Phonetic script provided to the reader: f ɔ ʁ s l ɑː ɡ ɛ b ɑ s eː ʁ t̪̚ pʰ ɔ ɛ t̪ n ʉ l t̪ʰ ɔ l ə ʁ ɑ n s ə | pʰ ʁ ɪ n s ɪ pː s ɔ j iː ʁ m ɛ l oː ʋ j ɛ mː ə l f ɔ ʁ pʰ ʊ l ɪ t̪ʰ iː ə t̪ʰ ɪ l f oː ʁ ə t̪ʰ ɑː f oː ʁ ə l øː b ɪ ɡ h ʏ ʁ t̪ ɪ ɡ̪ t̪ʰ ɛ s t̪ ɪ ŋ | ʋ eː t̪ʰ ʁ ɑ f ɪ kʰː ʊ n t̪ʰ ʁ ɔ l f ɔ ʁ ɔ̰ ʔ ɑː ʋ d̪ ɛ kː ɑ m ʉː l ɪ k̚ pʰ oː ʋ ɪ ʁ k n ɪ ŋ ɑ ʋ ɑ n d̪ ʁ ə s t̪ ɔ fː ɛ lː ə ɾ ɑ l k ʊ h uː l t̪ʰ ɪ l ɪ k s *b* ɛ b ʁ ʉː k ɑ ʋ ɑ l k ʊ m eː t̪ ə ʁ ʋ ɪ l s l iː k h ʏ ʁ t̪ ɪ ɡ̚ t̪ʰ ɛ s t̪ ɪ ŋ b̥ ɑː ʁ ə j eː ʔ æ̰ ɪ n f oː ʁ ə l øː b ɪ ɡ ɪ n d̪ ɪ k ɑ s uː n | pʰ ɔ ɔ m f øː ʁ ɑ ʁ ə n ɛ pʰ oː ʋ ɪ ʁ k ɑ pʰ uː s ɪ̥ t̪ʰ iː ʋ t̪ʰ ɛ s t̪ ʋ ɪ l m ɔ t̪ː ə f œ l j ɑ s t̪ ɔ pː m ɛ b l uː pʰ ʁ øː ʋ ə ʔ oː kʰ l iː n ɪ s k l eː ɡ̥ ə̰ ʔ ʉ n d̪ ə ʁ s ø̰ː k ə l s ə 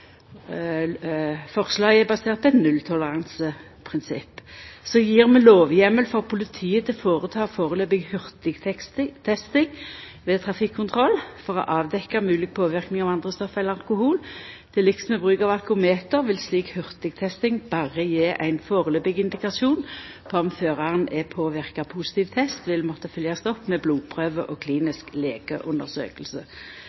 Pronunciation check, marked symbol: incorrect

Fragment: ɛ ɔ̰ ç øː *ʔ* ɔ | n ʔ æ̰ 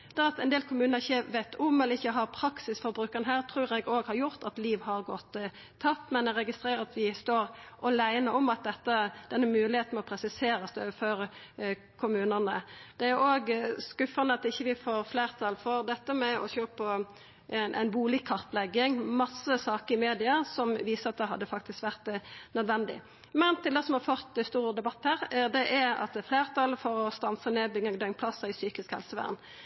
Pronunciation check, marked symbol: incorrect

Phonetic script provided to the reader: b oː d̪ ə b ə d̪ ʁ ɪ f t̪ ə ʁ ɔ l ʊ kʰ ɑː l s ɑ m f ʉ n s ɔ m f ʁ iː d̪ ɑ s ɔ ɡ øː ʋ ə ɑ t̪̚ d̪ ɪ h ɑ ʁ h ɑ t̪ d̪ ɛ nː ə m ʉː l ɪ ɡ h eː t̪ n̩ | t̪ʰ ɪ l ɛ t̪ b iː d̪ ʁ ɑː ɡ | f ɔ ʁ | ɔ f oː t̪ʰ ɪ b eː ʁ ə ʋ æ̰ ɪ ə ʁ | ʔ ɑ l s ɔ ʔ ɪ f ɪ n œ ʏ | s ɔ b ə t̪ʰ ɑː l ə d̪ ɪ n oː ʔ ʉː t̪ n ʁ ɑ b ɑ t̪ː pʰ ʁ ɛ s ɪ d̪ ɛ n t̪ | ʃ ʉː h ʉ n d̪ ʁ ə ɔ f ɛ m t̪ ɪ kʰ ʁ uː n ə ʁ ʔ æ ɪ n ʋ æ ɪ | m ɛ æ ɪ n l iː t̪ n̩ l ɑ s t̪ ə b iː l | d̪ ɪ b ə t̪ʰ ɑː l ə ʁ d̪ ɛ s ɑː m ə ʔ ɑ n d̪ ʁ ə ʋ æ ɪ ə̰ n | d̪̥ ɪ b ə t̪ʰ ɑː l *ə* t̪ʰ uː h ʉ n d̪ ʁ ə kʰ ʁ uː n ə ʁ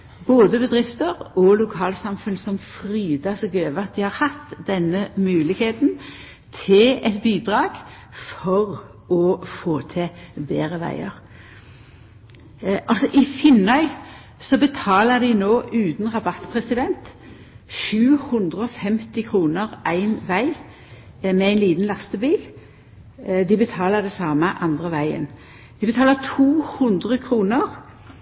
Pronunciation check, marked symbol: correct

